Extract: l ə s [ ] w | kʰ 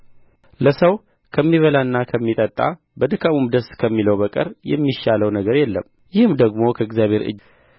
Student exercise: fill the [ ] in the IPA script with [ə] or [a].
ə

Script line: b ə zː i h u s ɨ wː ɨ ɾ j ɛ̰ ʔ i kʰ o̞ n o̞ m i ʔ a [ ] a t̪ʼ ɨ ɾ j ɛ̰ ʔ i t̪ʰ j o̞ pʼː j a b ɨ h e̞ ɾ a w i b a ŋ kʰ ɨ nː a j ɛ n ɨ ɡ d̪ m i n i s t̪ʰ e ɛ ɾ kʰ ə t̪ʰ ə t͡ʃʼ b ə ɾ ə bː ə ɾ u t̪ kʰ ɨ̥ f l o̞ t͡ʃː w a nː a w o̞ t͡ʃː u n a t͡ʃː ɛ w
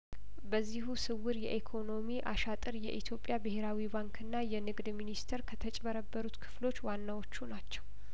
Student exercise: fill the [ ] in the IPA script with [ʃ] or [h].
ʃ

